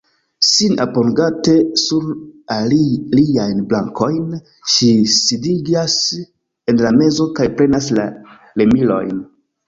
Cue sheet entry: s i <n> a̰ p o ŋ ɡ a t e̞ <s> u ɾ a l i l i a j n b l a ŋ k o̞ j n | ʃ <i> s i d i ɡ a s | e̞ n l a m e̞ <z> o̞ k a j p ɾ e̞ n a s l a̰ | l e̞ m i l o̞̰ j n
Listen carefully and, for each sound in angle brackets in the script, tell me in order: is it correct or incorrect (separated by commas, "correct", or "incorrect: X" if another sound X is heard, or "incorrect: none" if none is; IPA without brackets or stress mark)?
correct, correct, correct, correct